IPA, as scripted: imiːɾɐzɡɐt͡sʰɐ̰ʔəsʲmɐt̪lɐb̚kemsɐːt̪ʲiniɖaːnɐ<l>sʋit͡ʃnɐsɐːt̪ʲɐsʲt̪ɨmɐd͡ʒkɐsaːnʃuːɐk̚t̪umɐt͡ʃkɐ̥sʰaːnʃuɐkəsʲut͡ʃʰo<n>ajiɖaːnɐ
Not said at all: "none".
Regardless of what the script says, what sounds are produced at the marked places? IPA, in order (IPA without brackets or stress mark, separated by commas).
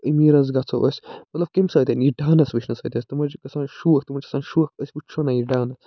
none, n